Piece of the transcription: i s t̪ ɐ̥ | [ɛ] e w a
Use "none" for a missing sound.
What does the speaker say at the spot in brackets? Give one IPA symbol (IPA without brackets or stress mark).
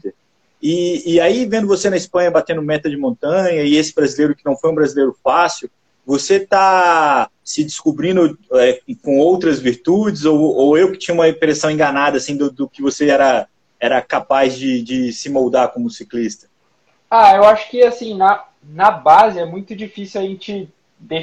a